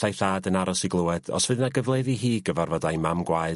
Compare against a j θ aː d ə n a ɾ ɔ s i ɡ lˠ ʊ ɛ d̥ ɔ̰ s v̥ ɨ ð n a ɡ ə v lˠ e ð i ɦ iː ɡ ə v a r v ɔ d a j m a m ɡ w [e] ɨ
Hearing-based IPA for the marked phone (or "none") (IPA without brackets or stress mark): a